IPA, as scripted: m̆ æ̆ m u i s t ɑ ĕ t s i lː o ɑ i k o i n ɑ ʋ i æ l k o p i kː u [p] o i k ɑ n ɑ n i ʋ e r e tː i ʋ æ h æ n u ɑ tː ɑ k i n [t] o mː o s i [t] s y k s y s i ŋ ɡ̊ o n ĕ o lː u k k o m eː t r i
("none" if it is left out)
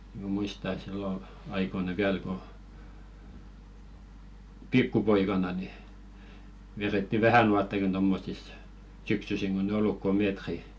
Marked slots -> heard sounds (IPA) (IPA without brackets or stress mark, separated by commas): p, t, s